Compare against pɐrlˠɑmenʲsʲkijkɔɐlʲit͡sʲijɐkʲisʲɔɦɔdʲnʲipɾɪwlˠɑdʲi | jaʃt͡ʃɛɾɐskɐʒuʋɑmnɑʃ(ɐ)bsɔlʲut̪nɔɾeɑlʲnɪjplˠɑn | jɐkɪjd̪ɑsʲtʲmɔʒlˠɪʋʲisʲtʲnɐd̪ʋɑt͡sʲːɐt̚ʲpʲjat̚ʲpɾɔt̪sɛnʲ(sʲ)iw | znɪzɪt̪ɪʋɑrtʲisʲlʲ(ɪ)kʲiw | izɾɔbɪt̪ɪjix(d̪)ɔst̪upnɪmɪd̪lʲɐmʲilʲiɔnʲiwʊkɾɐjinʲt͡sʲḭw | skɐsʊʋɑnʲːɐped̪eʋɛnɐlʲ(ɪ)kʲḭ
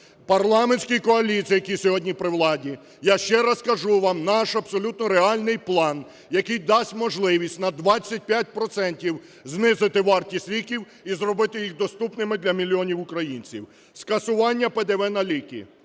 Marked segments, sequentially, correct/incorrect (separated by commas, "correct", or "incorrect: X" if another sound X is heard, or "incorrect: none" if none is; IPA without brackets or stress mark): correct, incorrect: tʲ, incorrect: i, correct, incorrect: i